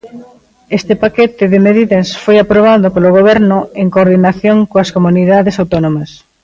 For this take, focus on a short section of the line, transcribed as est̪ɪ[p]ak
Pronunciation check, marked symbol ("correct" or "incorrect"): correct